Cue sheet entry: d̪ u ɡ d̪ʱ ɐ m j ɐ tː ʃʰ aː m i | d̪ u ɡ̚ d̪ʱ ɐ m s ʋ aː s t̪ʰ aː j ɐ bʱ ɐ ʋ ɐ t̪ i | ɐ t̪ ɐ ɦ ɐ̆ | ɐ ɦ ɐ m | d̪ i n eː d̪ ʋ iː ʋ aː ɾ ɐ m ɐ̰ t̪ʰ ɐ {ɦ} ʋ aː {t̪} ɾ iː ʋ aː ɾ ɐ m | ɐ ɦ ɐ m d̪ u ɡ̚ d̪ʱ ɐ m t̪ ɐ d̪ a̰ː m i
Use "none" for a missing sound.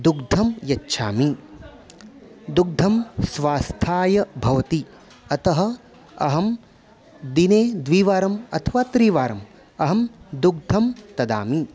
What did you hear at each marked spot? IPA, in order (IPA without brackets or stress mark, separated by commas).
none, t̪